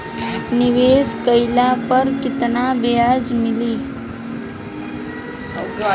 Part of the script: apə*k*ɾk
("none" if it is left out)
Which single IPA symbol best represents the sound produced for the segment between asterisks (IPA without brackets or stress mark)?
none